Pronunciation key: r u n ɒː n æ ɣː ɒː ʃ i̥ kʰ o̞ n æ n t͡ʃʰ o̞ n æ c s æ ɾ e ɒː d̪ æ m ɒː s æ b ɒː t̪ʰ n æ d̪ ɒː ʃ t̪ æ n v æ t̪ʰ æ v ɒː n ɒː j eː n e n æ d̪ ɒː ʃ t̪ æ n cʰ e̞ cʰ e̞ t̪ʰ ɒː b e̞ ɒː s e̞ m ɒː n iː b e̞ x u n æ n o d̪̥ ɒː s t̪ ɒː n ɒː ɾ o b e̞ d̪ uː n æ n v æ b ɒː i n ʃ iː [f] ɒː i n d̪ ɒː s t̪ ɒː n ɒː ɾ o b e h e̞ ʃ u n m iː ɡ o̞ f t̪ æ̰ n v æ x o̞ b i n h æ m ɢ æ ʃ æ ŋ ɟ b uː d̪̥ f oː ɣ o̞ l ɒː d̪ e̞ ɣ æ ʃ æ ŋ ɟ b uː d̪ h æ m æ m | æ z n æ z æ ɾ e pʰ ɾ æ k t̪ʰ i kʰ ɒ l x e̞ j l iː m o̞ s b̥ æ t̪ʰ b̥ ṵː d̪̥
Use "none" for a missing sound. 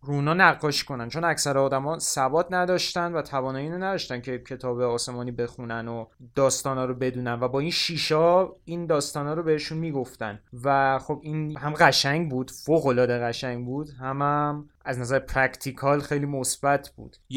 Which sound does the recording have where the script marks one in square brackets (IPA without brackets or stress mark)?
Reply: ʃ